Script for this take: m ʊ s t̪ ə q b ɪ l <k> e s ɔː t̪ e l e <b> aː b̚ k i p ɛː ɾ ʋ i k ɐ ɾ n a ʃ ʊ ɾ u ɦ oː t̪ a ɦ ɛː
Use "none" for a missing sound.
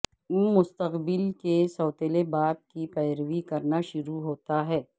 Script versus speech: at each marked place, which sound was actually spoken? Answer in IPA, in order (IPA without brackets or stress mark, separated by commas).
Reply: k, b